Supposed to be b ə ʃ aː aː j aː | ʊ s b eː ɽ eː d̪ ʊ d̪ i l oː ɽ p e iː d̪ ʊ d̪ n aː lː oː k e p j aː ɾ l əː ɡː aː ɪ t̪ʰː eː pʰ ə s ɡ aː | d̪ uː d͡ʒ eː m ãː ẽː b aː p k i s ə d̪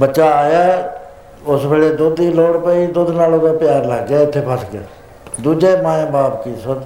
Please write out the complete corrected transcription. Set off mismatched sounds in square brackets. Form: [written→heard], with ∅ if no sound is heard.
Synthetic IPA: b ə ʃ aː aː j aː | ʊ s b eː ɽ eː d̪ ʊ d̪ i l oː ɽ p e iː d̪ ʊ d̪ n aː [lː→l] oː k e p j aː ɾ l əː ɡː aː ɪ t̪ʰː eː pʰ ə s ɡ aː | d̪ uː d͡ʒ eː m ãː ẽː b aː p k i s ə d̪